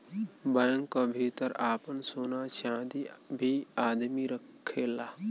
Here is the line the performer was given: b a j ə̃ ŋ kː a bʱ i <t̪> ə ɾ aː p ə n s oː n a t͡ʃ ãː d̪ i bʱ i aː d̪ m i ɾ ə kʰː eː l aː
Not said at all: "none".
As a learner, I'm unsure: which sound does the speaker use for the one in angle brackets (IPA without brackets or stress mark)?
t̪